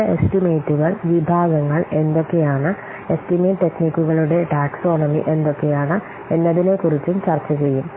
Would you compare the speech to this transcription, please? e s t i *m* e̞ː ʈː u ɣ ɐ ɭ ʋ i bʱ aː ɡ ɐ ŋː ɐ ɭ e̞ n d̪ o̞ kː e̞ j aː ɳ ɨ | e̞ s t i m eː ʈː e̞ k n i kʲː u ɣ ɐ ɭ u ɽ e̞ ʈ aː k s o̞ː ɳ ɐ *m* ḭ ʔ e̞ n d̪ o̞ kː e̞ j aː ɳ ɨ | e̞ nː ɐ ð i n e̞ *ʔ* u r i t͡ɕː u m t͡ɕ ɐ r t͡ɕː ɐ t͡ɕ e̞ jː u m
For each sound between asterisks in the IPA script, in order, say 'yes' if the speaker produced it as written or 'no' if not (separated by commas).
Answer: yes, yes, no